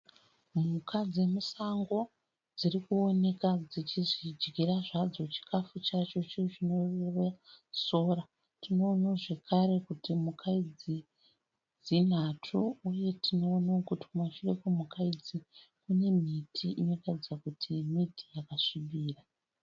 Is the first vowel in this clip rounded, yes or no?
yes